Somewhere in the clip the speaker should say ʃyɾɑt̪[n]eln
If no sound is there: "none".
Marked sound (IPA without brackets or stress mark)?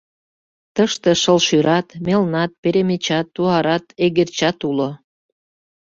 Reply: m